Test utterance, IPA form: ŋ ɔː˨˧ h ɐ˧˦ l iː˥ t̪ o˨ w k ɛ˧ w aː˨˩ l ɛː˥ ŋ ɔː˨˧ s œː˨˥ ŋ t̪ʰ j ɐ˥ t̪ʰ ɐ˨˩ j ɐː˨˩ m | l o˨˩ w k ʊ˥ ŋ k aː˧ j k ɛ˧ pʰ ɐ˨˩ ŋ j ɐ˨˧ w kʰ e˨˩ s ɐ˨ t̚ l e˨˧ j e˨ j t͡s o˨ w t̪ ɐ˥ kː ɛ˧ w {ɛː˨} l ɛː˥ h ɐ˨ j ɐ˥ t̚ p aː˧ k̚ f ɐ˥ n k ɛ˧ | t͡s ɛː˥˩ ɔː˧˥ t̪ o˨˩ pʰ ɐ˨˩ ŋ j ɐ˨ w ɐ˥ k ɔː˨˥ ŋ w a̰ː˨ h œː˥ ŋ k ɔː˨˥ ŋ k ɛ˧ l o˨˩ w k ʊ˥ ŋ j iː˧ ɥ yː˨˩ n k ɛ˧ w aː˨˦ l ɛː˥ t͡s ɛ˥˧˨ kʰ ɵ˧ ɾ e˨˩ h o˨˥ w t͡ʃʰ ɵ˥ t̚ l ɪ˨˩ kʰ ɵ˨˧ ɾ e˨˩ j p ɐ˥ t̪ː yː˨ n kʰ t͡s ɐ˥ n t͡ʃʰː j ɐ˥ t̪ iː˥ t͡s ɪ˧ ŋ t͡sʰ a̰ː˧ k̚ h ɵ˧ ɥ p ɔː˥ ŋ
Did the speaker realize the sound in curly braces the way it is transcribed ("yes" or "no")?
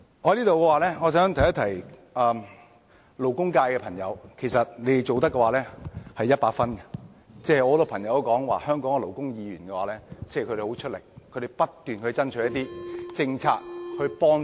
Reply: no